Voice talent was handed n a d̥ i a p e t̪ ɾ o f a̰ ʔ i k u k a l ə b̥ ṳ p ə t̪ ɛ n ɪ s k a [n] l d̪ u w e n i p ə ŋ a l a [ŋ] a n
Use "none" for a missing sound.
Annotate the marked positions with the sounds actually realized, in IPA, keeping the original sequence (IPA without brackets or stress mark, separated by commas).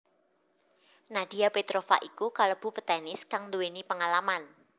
ŋ, m